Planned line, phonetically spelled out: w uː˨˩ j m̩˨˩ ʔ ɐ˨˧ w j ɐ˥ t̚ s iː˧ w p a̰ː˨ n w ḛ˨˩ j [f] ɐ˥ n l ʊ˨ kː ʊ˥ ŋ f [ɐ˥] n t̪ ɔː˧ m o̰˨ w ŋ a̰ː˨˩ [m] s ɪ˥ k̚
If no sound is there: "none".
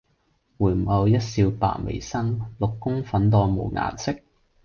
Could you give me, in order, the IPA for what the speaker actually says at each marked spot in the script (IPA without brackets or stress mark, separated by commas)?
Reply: s, ɐ˨˥, n